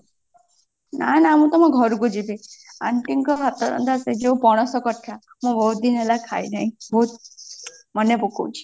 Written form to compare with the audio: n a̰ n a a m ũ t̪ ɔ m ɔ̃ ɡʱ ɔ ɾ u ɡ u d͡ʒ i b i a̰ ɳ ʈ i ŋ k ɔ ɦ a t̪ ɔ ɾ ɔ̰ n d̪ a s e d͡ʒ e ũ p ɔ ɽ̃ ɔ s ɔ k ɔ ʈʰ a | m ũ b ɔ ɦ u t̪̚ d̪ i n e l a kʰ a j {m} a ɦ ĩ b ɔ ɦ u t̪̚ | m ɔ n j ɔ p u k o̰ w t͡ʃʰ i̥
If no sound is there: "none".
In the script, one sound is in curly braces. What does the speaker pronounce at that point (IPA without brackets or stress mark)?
n